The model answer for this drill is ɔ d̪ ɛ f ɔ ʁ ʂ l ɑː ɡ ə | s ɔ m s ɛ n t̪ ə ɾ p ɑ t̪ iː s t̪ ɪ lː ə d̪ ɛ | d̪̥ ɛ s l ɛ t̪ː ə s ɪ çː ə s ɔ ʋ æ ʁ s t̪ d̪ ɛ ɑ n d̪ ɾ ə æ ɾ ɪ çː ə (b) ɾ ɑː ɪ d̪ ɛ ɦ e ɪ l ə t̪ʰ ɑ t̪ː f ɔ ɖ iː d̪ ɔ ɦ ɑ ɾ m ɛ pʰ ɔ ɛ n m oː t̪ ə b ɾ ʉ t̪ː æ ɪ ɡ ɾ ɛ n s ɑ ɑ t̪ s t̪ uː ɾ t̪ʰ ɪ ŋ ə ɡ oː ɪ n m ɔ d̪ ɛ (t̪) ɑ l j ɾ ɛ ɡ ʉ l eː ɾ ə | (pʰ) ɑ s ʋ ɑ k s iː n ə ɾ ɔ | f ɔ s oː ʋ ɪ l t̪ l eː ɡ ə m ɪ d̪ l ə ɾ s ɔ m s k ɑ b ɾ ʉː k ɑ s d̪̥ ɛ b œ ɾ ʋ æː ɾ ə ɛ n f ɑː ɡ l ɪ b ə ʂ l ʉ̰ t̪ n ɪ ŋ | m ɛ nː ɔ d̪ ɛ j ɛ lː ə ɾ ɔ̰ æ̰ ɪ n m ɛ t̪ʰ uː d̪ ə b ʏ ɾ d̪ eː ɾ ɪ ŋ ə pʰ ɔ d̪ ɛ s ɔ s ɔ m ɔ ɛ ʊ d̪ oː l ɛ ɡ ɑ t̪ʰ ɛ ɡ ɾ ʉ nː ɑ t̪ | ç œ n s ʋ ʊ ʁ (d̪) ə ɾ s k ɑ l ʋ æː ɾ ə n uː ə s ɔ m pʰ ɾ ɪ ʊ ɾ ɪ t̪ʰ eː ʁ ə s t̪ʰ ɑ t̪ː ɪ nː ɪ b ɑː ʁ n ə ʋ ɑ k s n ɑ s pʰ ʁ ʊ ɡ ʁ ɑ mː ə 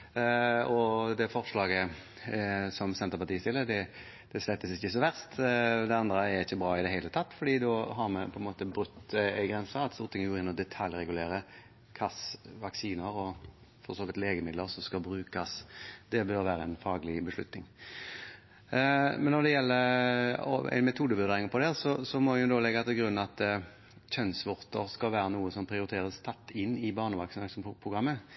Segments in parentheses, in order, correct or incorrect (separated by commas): correct, incorrect, incorrect, incorrect